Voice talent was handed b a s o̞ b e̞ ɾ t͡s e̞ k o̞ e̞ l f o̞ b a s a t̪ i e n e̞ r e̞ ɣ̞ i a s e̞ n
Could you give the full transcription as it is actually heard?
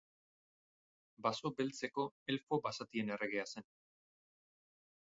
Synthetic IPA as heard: b a s o̞ b e̞ l t͡s e̞ k o̞ e̞ l f o̞ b a s a t̪ i e n e̞ r e̞ ɣ̞ e a s e̞ n